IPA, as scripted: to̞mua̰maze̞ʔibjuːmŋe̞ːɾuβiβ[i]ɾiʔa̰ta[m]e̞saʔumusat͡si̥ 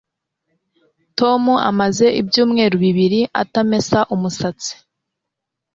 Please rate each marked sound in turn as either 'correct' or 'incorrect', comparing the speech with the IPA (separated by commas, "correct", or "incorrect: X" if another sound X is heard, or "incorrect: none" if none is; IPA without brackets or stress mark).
correct, correct